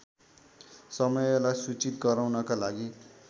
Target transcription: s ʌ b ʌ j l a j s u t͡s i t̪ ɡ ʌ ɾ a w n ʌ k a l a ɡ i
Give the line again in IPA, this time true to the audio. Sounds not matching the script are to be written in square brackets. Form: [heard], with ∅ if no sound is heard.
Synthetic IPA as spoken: s ʌ [m] ʌ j l a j s u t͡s i t̪ ɡ ʌ ɾ a w n ʌ k a l a ɡ i